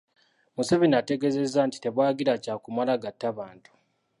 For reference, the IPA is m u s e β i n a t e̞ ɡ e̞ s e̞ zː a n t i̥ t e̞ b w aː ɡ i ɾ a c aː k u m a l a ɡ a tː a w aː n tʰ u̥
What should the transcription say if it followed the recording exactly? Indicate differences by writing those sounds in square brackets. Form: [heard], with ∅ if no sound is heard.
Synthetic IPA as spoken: m u s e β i n a t e̞ ɡ e̞ [z] e̞ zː a n t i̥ t e̞ [β] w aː ɡ i ɾ a c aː k u m a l a ɡ a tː a [β] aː n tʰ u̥